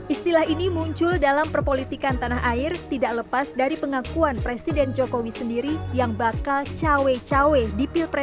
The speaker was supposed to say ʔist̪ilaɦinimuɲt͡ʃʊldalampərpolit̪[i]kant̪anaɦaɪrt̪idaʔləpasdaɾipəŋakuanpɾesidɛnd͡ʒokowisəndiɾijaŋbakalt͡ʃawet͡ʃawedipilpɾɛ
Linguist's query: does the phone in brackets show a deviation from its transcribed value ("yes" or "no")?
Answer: no